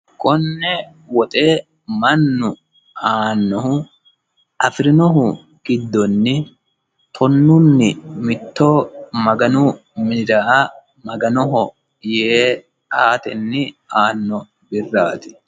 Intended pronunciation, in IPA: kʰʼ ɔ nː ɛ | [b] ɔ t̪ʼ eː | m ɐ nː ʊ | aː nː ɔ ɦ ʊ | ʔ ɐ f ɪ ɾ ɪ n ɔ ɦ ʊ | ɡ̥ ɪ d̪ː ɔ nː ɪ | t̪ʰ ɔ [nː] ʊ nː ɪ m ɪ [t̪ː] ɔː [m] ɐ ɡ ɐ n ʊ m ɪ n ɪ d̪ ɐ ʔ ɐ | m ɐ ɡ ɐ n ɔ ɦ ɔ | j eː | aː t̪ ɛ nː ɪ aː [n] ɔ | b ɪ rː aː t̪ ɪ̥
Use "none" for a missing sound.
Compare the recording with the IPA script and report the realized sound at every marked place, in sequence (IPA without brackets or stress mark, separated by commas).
w, nː, t̪ː, m, nː